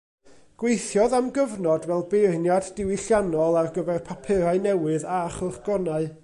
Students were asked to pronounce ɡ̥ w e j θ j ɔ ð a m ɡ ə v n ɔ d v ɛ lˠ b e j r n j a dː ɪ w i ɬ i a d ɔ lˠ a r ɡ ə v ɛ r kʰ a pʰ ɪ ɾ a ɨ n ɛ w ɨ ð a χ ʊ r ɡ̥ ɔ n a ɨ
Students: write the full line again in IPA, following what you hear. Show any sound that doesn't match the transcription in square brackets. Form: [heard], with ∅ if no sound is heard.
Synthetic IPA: ɡ̥ w e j θ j ɔ ð a m ɡ ə v n ɔ d v ɛ lˠ b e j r n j a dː ɪ w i ɬ [j] a [n] ɔ lˠ a r ɡ ə v ɛ r [pʰ] a pʰ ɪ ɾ a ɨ n ɛ w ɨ ð a χ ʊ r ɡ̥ ɔ n a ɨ